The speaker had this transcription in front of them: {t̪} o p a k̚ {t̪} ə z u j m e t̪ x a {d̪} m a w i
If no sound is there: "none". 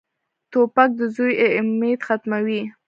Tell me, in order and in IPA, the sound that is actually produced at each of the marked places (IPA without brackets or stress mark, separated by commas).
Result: t̪, d̪, t̪